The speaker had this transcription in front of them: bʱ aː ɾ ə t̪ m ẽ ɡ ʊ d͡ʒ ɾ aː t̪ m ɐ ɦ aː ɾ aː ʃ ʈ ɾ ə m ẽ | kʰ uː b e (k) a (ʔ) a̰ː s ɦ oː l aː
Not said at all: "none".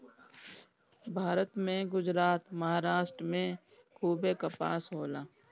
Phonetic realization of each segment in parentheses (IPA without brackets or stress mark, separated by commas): k, p